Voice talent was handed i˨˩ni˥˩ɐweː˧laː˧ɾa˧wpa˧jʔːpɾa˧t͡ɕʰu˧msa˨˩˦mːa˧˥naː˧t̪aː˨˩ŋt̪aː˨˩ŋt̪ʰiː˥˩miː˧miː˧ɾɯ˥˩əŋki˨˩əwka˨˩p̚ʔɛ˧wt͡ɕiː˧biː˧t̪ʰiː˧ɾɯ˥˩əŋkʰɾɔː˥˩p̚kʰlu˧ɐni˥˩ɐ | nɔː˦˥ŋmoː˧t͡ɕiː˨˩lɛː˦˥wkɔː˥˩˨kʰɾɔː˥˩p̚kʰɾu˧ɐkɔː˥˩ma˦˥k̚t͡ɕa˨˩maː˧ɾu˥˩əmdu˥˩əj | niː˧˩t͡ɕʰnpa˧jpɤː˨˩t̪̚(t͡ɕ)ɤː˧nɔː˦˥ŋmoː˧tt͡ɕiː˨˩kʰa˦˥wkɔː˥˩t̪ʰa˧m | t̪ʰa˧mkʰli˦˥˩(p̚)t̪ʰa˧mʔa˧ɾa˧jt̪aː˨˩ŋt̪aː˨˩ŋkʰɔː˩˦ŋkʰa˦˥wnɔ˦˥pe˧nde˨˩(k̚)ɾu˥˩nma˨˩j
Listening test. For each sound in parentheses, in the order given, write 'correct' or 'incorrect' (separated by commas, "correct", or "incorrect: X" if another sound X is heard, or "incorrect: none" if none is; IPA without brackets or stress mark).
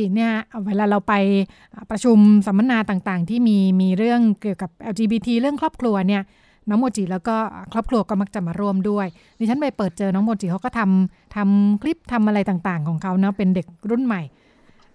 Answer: correct, correct, correct